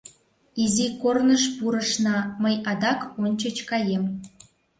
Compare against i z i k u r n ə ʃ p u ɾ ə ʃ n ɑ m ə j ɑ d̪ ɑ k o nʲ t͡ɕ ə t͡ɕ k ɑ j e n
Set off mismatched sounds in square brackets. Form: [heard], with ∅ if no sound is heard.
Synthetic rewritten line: i z i k [o] r n ə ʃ p u ɾ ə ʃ n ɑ m ə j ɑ d̪ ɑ k o nʲ t͡ɕ ə t͡ɕ k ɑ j e [m]